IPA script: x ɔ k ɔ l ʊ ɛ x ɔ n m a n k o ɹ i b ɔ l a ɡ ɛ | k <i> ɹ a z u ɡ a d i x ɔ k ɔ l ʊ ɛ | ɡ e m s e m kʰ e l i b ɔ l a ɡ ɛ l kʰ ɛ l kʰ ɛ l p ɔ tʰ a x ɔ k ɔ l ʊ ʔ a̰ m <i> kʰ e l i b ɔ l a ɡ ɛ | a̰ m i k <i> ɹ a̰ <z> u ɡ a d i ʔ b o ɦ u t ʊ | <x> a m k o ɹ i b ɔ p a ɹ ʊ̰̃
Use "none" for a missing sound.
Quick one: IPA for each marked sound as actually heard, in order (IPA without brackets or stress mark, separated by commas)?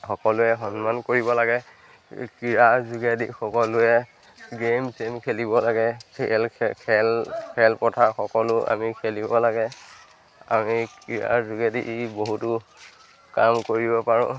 i, i, i, z, k